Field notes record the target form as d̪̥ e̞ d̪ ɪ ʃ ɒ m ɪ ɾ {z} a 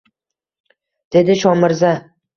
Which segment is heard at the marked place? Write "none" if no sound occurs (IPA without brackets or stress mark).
z